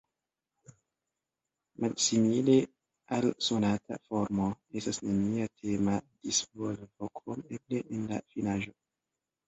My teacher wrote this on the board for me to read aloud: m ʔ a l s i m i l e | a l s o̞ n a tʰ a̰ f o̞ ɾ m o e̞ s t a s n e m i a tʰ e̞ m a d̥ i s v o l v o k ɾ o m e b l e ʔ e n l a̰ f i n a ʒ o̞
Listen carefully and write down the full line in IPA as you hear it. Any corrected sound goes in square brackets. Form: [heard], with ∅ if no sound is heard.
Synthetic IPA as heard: m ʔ a l s i m i l e | a l s o̞ n a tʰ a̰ f o̞ ɾ m o e̞ s t a s n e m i a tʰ e̞ m a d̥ i s v o l v o k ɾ o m e b l e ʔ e n l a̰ f i n a ʒ o̞

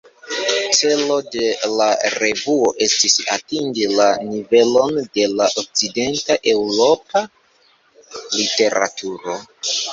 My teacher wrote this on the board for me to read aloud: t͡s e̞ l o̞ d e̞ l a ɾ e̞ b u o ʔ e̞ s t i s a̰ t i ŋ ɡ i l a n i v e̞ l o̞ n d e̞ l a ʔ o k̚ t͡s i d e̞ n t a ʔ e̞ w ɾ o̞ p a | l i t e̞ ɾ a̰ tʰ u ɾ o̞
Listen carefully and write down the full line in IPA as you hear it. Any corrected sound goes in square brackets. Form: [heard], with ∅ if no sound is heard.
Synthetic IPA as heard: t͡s e̞ l o̞ d e̞ l a ɾ e̞ [v] u o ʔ e̞ s t i s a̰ t i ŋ ɡ i l a n i v e̞ l o̞ n d e̞ l a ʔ o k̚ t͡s i d e̞ n t a ʔ e̞ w ɾ o̞ p a | l i t e̞ ɾ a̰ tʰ u ɾ o̞

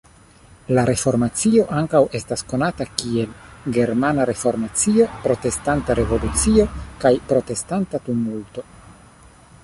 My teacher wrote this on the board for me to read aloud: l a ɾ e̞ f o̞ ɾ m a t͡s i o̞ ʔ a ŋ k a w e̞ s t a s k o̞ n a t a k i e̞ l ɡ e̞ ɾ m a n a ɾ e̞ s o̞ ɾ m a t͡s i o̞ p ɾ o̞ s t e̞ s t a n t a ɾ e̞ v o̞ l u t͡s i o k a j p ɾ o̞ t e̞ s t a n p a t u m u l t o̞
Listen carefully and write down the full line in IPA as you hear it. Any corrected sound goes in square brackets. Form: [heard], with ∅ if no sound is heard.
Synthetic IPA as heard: l a ɾ e̞ f o̞ ɾ m a t͡s i o̞ ʔ a ŋ k a w e̞ s t a s k o̞ n a t a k i e̞ l ɡ e̞ ɾ m a n a ɾ e̞ [f] o̞ ɾ m a t͡s i o̞ p ɾ o̞ [∅] t e̞ s t a n t a ɾ e̞ v o̞ l u t͡s i o k a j p ɾ o̞ t e̞ s t a n [t] a t u m u l t o̞

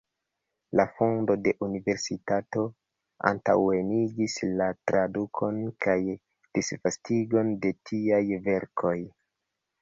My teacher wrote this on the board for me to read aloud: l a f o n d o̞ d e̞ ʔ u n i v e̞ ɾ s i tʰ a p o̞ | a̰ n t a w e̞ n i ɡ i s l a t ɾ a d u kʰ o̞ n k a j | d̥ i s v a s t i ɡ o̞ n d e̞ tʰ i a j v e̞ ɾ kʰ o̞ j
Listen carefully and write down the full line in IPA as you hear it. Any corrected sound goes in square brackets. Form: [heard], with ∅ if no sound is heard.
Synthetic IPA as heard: l a f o n d o̞ d e̞ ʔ u n i v e̞ ɾ s i [t] a [t] o̞ | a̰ n t a w e̞ n i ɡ i s l a t ɾ a d u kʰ o̞ n k a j | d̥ i s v a s t i ɡ o̞ n d e̞ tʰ i a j v e̞ ɾ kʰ o̞ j

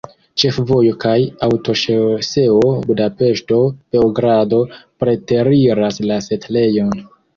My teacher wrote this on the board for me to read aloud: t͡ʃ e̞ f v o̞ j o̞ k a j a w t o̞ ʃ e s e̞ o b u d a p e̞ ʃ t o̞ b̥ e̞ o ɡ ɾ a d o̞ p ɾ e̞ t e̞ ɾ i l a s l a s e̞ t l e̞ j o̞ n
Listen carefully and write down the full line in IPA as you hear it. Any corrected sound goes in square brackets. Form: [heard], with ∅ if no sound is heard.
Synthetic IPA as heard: t͡ʃ e̞ f v o̞ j o̞ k a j a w t o̞ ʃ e s e̞ o b u d a p e̞ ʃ t o̞ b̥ e̞ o ɡ ɾ a d o̞ p ɾ e̞ t e̞ ɾ i [ɾ] a s l a s e̞ t l e̞ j o̞ n

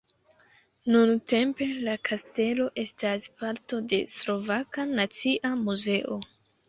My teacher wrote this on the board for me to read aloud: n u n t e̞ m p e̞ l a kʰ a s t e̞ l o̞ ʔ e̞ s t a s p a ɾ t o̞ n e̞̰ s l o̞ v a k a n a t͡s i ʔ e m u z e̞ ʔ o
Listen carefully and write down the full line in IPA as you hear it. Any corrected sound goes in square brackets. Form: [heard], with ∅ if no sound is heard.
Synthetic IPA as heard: n u n t e̞ m p e̞ l a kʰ a s t e̞ l o̞ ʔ e̞ s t a s p a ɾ t o̞ [d] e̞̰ s l o̞ v a k a n a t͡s i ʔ [a] m u z e̞ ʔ o

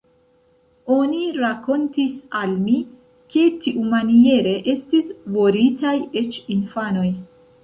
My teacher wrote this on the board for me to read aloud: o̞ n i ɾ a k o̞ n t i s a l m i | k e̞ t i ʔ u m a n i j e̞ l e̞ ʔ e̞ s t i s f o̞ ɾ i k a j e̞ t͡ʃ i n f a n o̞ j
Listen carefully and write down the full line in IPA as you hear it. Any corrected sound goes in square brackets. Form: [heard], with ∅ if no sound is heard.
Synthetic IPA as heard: o̞ n i ɾ a k o̞ n t i s a l m i | k e̞ t i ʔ u m a n i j e̞ [ɾ] e̞ ʔ e̞ s t i s [v] o̞ ɾ i [t] a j e̞ t͡ʃ i n f a n o̞ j

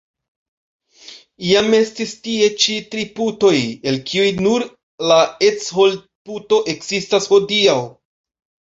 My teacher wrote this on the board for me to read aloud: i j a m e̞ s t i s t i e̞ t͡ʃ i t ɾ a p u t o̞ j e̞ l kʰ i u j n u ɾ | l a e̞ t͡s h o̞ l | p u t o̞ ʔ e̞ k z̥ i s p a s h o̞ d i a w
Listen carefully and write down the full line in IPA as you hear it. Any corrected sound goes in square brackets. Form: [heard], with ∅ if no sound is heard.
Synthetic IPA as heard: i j a m e̞ s t i s t i e̞ t͡ʃ i t ɾ [i] p u t o̞ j e̞ l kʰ i u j n u ɾ | l a e̞ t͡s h o̞ l | p u t o̞ ʔ e̞ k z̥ i s [t] a s h o̞ d i a w

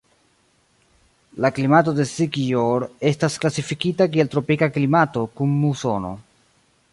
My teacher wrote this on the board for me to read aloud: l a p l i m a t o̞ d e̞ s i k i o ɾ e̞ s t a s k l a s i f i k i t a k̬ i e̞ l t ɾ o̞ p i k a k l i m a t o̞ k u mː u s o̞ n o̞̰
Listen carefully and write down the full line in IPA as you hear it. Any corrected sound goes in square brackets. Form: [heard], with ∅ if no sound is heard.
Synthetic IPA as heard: l a [k] l i m a t o̞ d e̞ s i k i o ɾ e̞ s t a s k l a s i f i k i t a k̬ i e̞ l t ɾ o̞ p i k a k l i m a t o̞ k u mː u s o̞ n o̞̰

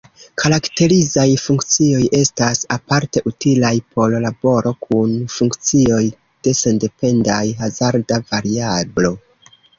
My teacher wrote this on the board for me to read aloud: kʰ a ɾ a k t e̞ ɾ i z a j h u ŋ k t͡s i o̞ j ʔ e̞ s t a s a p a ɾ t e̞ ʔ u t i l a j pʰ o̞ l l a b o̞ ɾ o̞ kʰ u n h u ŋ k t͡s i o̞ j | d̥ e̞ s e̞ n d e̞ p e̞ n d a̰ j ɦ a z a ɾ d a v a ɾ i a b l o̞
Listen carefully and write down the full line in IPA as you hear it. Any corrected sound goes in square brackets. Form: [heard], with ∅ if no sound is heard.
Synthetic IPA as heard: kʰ a ɾ a k t e̞ ɾ i z a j [f] u ŋ k t͡s i o̞ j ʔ e̞ s t a s a p a ɾ t e̞ ʔ u t i l a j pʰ o̞ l l a b o̞ ɾ o̞ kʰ u n [f] u ŋ k t͡s i o̞ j | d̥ e̞ s e̞ n d e̞ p e̞ n d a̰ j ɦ a z a ɾ d a v a ɾ i a b l o̞

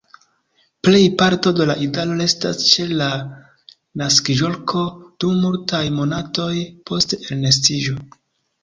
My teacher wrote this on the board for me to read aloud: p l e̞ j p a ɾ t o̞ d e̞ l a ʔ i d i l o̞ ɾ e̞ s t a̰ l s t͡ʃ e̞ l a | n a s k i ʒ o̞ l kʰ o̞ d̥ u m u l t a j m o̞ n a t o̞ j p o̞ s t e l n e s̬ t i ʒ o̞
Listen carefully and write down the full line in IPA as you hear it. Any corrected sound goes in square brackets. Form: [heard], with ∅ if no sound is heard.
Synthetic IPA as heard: p l e̞ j p a ɾ t o̞ d e̞ l a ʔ i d [a] l o̞ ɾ e̞ s t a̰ [∅] s t͡ʃ e̞ l a | n a s k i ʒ o̞ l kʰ o̞ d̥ u m u l t a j m o̞ n a t o̞ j p o̞ s t e l n e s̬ t i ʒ o̞

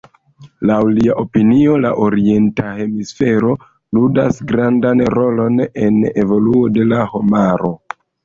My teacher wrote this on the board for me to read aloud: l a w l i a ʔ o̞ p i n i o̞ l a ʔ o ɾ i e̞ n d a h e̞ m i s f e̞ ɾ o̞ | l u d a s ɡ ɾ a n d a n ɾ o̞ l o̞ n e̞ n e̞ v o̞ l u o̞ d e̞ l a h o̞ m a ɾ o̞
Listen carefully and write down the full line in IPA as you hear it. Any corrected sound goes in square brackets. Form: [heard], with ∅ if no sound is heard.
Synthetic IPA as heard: l a w l i a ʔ o̞ p i n i o̞ l a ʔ o ɾ i e̞ n [t] a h e̞ m i s f e̞ ɾ o̞ | l u d a s ɡ ɾ a n d a n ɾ o̞ l o̞ n e̞ n e̞ v o̞ l u o̞ d e̞ l a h o̞ m a ɾ o̞

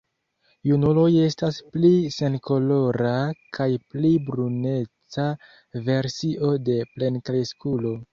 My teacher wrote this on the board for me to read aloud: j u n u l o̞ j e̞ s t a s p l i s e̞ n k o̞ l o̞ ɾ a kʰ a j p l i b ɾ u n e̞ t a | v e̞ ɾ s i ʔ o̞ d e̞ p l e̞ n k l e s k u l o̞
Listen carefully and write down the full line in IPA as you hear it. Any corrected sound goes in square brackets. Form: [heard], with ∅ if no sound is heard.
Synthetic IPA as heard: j u n u l o̞ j e̞ s t a s p l i s e̞ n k o̞ l o̞ ɾ a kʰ a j p l i b ɾ u n e̞ [t͡s] a | v e̞ ɾ s i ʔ o̞ d e̞ p l e̞ n k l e s k u l o̞

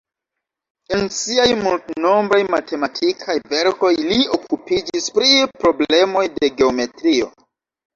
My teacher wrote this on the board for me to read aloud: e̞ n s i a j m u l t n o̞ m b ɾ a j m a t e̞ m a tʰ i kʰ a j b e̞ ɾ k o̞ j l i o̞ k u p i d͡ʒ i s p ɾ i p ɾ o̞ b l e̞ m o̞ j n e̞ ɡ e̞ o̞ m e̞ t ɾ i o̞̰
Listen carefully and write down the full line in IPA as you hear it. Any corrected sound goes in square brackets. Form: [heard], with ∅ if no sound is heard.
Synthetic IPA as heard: e̞ n s i a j m u l t n o̞ m b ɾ a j m a t e̞ m a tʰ i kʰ a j [v] e̞ ɾ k o̞ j l i o̞ k u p i d͡ʒ i s p ɾ i p ɾ o̞ b l e̞ m o̞ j [d] e̞ ɡ e̞ o̞ m e̞ t ɾ i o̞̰

